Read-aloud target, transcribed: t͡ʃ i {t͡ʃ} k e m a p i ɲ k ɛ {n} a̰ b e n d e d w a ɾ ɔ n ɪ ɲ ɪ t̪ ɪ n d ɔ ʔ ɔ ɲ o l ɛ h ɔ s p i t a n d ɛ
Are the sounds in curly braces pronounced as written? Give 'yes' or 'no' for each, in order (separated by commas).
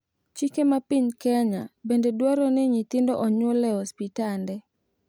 no, no